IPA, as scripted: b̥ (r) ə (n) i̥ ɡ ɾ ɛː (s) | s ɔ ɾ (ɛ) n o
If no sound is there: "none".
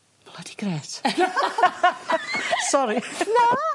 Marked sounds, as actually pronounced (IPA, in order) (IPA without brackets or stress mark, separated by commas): l, d, t, i